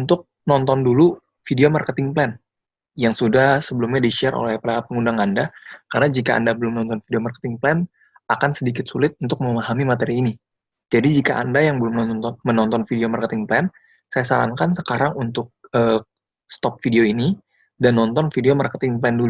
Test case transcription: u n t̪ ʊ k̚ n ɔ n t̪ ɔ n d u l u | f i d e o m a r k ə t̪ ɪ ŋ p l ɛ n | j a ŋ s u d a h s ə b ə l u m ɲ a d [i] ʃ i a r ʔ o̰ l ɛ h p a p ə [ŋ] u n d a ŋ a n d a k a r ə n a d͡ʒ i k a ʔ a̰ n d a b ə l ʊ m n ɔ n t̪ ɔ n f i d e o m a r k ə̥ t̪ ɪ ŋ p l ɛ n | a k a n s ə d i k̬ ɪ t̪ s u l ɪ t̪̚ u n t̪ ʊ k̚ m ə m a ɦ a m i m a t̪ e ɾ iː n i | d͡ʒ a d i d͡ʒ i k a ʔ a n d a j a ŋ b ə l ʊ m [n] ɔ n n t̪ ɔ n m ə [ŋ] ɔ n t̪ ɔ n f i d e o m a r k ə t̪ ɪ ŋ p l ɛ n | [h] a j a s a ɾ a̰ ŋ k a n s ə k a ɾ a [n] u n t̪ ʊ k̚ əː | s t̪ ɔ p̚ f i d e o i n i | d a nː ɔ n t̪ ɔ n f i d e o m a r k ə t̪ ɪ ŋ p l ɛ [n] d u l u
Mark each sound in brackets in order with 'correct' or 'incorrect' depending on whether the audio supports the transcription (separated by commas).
correct, correct, correct, incorrect, incorrect, incorrect, correct